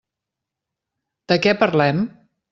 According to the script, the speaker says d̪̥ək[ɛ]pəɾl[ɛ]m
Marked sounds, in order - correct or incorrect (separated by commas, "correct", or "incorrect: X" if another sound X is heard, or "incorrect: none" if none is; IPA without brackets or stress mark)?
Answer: correct, correct